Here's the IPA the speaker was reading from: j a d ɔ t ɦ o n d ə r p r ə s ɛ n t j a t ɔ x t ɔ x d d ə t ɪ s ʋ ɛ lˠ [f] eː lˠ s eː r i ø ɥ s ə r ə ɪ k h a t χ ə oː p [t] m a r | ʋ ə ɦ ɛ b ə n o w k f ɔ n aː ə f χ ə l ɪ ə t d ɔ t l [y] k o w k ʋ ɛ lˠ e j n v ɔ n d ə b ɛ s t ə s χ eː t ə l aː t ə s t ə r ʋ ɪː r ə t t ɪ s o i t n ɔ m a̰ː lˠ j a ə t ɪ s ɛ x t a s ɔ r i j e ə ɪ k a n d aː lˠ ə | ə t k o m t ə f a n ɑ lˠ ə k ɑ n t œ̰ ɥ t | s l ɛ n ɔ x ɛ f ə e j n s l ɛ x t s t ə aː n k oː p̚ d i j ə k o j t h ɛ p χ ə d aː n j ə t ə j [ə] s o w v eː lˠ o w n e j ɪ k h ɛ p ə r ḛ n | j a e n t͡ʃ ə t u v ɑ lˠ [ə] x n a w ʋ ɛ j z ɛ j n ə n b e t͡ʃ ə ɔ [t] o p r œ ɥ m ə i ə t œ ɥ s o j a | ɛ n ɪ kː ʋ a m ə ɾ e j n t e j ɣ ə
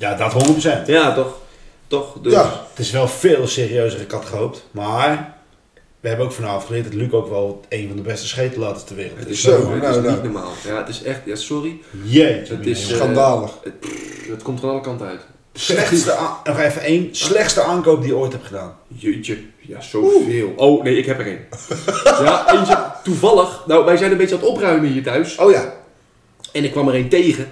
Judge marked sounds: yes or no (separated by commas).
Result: yes, yes, yes, no, yes, yes